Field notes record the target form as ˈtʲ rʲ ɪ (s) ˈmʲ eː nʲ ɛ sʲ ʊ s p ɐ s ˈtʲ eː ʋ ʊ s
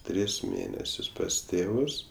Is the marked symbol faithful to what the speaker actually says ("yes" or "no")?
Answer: yes